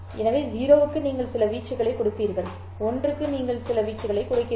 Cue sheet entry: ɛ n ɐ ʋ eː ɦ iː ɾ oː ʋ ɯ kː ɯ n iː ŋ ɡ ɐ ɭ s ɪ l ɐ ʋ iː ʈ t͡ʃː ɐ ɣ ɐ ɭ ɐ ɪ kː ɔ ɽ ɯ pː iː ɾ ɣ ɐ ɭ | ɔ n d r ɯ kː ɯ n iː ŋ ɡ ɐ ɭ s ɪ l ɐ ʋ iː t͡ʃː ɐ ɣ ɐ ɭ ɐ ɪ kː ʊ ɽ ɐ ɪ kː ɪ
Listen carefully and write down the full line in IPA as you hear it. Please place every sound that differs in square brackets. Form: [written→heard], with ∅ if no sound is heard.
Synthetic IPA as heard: ɛ n ɐ ʋ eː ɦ iː ɾ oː ʋ ɯ kː ɯ n iː ŋ ɡ ɐ ɭ s ɪ l ɐ ʋ iː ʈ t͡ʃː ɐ ɣ ɐ ɭ ɐ ɪ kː ɔ ɽ ɯ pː iː ɾ ɣ ɐ ɭ | ɔ n d r ɯ kː ɯ n iː ŋ ɡ ɐ ɭ s ɪ l ɐ ʋ iː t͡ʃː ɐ ɣ ɐ ɭ ɐ ɪ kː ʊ ɽ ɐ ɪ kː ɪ